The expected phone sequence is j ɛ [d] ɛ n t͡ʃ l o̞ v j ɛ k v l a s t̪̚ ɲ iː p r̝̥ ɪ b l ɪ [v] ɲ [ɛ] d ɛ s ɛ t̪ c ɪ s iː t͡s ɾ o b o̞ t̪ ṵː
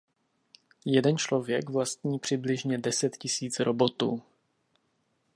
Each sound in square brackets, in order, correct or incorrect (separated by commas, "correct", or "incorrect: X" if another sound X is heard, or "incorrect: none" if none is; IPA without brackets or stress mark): correct, incorrect: ʒ, correct